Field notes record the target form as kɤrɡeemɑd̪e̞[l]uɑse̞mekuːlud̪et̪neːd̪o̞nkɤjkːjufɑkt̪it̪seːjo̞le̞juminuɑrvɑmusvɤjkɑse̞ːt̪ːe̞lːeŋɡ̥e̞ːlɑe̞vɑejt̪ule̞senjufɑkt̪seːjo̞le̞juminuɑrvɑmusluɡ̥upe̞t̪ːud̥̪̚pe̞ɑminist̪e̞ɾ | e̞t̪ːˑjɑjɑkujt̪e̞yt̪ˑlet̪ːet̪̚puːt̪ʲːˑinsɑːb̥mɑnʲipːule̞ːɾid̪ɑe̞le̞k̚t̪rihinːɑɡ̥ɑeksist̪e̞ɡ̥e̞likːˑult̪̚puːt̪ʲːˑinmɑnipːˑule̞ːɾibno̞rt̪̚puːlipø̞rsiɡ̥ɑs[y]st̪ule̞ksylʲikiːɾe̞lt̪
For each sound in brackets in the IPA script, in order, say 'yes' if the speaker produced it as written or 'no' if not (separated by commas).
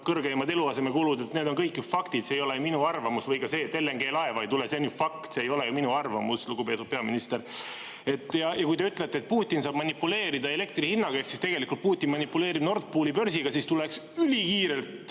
yes, no